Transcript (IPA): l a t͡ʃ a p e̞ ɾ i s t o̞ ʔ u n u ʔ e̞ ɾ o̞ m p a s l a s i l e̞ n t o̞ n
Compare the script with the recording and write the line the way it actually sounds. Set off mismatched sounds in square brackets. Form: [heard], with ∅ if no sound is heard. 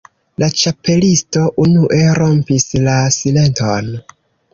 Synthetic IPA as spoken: l a t͡ʃ a p e̞ [l] i s t o̞ ʔ u n u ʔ e̞ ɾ o̞ m p [i] s l a s i l e̞ n t o̞ n

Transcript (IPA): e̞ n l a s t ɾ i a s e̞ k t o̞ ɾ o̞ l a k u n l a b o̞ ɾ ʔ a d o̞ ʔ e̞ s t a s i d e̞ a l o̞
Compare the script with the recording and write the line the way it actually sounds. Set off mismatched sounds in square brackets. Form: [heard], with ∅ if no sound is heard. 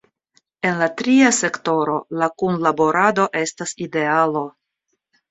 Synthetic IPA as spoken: e̞ n l a [∅] t ɾ i a s e̞ k t o̞ ɾ o̞ l a k u n l a b o̞ ɾ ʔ a d o̞ ʔ e̞ s t a s i d e̞ a l o̞

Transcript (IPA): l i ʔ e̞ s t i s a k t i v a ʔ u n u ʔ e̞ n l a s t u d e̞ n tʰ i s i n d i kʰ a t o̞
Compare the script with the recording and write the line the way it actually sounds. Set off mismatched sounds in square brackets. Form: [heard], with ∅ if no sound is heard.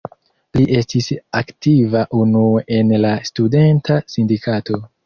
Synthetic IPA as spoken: l i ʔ e̞ s t i s a k t i v a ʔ u n u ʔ e̞ n l a s t u d e̞ n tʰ [a] s i n d i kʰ a t o̞

